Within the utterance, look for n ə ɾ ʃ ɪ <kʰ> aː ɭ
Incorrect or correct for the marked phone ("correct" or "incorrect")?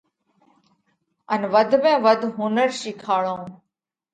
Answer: correct